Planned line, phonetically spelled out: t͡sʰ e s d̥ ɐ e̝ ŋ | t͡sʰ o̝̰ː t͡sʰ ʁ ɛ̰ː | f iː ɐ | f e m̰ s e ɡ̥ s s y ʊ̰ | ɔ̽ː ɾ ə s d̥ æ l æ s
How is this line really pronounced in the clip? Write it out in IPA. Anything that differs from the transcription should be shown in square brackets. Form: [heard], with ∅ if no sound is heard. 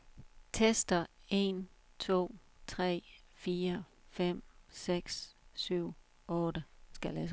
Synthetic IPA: t͡sʰ e s d̥ ɐ e̝ [n] | t͡sʰ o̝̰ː t͡sʰ ʁ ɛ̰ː | f iː ɐ | f e m̰ s e ɡ̥ s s y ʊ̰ | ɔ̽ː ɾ ə s [ɡ̥] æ l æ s

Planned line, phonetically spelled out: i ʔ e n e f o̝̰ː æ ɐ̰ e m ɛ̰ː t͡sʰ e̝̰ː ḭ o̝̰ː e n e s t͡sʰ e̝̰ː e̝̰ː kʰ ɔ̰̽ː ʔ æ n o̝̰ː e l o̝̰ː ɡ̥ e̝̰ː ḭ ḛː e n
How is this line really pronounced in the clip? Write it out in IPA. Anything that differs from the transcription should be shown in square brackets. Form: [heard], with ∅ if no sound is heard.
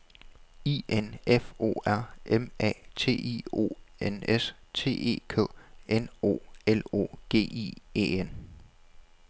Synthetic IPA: i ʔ e n e f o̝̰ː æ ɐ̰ e m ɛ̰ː t͡sʰ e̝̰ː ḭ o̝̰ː e n e s t͡sʰ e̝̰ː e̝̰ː kʰ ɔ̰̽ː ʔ [e] n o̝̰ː e l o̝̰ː ɡ̥ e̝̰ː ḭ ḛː e n

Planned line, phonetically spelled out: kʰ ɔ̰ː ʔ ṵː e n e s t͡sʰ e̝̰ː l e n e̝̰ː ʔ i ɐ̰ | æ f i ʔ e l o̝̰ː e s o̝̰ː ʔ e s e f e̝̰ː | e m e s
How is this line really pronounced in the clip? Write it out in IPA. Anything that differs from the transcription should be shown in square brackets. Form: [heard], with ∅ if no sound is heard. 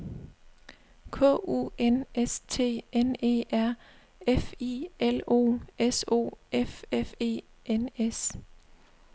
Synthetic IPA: kʰ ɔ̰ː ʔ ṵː e n e s t͡sʰ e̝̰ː [∅] e n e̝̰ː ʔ [æ] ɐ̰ | [e] f i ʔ e l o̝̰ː e s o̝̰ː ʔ e [f] e f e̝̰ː | e [n] e s

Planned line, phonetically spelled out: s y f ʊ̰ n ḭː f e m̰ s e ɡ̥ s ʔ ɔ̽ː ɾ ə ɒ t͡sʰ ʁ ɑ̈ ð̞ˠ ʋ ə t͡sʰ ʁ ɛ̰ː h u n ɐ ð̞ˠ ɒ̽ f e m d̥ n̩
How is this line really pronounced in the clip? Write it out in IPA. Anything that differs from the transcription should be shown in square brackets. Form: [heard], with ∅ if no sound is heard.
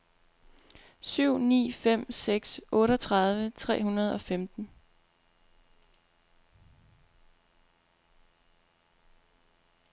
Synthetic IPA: s y [∅] ʊ̰ n ḭː f e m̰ s e ɡ̥ s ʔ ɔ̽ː ɾ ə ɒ t͡sʰ ʁ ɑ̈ ð̞ˠ ʋ ə t͡sʰ ʁ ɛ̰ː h u n ɐ ð̞ˠ ɒ̽ f e m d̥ n̩

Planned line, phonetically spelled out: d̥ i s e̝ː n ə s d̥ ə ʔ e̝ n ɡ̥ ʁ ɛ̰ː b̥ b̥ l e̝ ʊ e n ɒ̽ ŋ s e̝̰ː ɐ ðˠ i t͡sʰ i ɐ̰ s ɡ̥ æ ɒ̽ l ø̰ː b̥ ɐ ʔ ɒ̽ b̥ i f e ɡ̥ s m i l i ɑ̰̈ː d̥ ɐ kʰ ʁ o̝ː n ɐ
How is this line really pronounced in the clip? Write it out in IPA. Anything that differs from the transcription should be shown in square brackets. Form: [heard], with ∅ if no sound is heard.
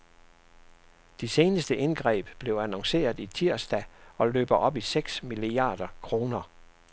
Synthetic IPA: d̥ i s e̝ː n ə s d̥ ə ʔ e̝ n ɡ̥ ʁ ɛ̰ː b̥ b̥ l e̝ ʊ [æ] n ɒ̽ ŋ s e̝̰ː ɐ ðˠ i t͡sʰ i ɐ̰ s [d̥] æ ɒ̽ l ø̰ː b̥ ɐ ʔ ɒ̽ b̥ i [s] e ɡ̥ s m i l i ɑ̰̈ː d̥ ɐ kʰ ʁ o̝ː n ɐ

